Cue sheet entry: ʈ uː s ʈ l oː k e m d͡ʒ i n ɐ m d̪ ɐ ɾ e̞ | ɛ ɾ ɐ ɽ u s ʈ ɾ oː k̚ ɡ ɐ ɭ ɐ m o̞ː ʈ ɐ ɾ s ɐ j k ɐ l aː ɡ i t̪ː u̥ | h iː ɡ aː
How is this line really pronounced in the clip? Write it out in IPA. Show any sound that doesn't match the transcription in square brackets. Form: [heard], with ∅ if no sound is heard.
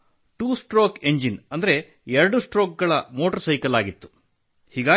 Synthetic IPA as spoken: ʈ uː s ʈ [ɾ] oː k e [ɲ] d͡ʒ i n ɐ [n] d̪ ɐ ɾ e̞ | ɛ ɾ ɐ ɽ u s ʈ ɾ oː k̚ ɡ ɐ ɭ ɐ m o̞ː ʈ ɐ ɾ s ɐ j k ɐ l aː ɡ i t̪ː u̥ | h iː ɡ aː